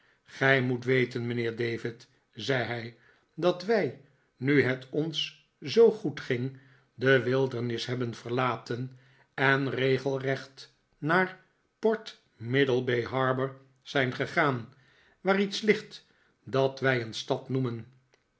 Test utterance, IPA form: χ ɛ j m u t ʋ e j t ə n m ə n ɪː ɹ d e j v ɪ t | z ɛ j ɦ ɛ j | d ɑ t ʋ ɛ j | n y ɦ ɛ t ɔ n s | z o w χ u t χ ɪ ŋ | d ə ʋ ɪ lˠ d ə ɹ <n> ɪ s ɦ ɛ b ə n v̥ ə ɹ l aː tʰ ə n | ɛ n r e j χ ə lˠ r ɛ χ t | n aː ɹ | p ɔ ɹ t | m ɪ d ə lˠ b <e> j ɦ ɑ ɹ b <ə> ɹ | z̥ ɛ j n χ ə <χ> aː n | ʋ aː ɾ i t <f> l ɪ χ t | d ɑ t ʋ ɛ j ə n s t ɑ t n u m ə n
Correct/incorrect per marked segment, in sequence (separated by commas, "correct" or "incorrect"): correct, correct, correct, correct, incorrect